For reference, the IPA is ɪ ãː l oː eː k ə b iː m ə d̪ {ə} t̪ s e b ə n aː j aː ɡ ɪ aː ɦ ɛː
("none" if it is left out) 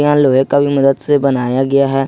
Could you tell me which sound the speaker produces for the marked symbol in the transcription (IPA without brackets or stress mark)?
ə